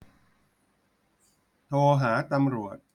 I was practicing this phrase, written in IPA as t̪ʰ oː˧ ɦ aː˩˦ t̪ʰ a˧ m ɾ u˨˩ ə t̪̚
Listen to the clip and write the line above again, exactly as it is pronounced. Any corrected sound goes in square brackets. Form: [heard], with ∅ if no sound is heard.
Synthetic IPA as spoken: t̪ʰ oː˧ ɦ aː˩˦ [t̪] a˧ m ɾ u˨˩ ə t̪̚